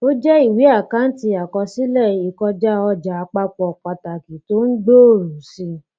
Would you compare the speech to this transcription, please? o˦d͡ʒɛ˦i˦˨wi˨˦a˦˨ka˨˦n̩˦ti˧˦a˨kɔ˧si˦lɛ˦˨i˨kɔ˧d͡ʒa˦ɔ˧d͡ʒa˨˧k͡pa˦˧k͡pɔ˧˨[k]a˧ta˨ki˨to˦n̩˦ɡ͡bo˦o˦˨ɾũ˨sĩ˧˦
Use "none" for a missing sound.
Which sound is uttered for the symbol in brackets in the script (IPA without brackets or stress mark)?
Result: k͡p